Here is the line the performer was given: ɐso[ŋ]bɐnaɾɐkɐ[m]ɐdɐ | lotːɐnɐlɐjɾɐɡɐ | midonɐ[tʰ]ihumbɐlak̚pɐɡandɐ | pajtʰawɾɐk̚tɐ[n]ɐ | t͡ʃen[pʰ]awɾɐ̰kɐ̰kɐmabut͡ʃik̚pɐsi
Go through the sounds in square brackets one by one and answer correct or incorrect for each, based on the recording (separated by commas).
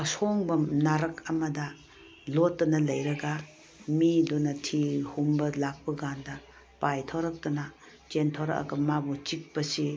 correct, correct, correct, correct, incorrect